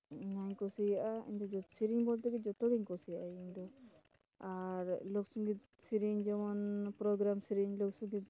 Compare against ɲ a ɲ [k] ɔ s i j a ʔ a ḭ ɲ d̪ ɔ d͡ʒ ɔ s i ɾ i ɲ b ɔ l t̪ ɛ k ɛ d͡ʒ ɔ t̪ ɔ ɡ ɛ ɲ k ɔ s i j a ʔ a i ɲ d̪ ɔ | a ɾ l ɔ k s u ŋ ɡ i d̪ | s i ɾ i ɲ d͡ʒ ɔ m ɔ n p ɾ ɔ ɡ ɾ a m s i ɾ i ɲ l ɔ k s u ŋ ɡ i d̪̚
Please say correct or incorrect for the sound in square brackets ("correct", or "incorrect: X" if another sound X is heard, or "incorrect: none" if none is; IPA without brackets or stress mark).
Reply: correct